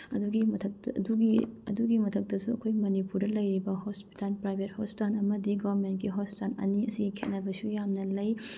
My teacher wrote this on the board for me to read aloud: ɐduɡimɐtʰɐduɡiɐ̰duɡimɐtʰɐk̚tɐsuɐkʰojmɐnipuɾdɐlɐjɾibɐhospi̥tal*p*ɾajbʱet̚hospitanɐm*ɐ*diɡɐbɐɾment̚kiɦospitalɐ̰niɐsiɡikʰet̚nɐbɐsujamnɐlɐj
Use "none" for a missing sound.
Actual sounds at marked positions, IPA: p, ɐ

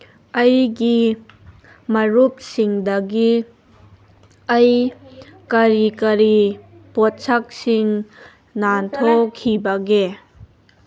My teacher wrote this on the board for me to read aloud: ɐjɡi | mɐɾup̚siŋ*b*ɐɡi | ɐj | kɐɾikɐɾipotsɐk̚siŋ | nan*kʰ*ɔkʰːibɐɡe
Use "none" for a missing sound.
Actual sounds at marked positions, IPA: d, tʰ

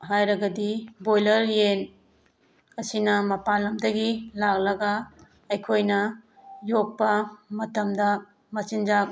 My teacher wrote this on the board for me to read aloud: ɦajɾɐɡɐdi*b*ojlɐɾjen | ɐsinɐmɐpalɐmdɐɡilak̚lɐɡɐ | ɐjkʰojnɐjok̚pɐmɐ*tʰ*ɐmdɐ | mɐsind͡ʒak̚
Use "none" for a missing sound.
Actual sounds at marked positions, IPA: b, t

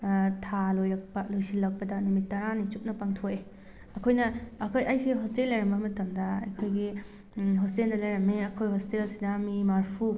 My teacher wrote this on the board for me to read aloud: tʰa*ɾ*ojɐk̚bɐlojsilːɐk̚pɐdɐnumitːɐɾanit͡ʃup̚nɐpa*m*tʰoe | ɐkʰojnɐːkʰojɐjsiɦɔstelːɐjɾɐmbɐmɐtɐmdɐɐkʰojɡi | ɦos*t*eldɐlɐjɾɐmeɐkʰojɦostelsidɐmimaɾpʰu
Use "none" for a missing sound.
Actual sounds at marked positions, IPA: l, ŋ, t

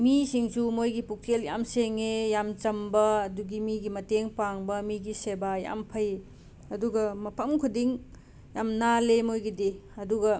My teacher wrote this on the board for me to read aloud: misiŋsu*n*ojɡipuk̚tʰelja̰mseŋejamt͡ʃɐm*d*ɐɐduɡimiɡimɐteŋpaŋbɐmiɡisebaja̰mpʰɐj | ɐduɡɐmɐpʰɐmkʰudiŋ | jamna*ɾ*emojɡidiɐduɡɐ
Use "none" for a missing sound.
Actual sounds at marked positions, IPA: m, b, l

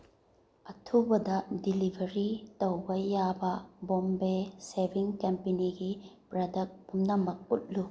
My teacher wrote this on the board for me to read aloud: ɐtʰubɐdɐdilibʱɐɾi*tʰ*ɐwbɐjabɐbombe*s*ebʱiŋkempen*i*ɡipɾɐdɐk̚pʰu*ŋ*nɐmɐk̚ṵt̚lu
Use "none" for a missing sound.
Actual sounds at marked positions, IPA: t, s, i, m

